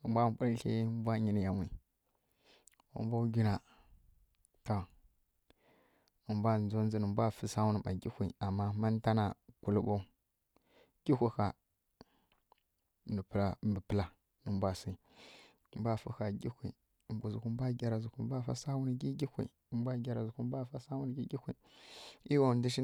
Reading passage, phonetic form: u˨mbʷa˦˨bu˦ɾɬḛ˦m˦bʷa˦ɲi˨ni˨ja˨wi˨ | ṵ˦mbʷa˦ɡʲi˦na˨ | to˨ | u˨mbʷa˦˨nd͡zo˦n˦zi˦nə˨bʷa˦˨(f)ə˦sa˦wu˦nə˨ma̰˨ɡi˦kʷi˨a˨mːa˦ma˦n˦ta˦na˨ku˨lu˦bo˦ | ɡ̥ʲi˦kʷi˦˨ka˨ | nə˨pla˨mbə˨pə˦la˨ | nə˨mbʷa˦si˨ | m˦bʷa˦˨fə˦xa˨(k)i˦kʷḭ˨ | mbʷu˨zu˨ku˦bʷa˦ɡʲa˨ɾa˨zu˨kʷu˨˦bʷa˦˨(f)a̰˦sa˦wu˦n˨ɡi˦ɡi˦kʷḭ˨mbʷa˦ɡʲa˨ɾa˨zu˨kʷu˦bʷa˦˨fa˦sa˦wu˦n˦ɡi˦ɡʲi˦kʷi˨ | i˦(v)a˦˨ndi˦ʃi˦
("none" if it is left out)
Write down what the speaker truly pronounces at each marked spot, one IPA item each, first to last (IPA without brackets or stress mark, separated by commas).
f, ɡ, f, w